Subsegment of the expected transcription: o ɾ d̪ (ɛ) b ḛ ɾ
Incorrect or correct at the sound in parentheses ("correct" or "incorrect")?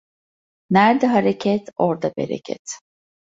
incorrect